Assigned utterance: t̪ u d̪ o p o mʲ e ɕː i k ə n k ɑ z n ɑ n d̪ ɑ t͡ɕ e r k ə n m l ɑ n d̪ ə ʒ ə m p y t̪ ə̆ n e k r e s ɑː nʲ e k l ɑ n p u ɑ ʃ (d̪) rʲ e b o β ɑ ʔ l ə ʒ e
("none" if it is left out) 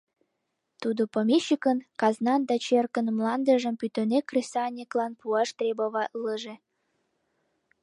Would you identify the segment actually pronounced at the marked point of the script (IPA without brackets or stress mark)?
t̪